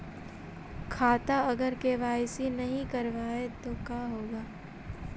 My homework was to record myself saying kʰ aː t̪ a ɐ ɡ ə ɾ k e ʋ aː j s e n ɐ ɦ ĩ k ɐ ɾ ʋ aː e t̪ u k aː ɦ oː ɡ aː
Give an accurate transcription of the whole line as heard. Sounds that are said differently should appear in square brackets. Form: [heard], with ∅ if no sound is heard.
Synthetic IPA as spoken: kʰ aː t̪ a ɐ ɡ ə ɾ k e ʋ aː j s [i] n ɐ ɦ ĩ k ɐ ɾ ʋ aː e t̪ [o] k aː ɦ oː ɡ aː